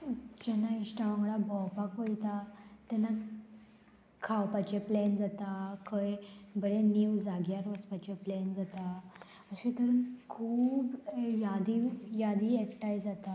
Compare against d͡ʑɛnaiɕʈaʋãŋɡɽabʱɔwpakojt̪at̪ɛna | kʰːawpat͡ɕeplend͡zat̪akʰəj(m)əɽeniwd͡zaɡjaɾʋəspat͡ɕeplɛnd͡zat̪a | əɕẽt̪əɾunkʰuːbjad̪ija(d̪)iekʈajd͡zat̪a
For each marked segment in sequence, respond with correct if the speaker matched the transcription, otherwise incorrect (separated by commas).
incorrect, correct